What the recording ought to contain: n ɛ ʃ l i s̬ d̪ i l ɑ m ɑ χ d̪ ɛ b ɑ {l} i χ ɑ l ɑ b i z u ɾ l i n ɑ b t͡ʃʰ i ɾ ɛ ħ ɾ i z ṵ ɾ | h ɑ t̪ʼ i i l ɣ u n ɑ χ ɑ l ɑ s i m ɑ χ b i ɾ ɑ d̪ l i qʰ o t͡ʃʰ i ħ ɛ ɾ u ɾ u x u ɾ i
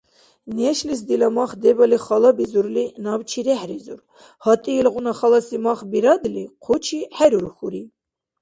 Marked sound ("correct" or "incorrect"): correct